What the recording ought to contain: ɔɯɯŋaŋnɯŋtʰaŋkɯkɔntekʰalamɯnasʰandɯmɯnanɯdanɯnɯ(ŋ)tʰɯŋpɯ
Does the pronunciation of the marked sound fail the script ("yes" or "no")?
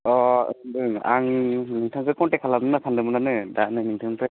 no